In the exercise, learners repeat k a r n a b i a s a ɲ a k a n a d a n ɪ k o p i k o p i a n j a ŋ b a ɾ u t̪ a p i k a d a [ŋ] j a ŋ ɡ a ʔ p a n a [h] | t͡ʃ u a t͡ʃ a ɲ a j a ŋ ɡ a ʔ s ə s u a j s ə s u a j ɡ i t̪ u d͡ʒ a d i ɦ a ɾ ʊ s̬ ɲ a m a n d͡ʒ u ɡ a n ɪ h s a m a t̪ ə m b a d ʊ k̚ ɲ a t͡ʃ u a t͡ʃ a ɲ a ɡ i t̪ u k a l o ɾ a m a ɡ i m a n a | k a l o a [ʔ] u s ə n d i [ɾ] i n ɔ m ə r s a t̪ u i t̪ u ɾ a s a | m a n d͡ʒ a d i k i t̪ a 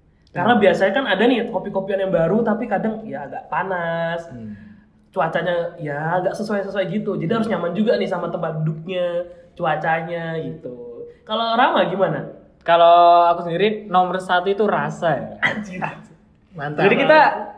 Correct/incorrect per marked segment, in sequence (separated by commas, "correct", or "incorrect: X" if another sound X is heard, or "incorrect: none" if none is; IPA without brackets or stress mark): correct, incorrect: s, incorrect: k, correct